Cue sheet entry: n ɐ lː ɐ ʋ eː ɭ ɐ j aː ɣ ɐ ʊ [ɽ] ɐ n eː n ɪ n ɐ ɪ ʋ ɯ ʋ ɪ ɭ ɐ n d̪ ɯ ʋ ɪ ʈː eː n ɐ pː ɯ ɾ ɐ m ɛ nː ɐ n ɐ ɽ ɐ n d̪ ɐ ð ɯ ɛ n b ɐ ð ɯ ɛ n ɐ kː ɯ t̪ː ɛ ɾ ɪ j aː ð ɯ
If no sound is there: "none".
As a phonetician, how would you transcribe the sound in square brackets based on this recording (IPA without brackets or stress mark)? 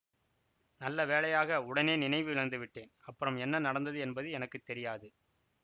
ɽ